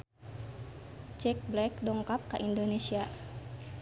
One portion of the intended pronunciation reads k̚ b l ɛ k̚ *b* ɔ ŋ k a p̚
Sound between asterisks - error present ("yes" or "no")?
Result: yes